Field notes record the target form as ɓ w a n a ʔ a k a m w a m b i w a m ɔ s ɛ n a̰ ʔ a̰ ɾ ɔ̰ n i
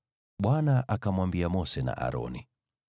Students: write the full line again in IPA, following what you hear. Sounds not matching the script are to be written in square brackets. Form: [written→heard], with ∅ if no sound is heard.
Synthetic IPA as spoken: ɓ w a n a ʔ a k a m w a m b i [w→∅] a m ɔ s ɛ n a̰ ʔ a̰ ɾ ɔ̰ n i